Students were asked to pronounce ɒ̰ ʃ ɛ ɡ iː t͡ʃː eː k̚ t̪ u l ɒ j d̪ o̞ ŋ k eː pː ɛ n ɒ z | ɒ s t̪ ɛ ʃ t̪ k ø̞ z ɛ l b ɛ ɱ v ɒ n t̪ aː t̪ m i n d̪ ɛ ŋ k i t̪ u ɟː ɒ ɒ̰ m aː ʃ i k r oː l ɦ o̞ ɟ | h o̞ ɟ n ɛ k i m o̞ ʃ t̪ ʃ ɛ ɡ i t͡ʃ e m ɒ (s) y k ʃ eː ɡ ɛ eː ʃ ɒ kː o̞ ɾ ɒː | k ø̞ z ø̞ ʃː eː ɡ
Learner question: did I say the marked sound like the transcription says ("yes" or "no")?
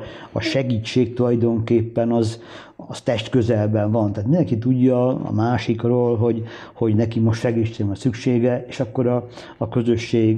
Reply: yes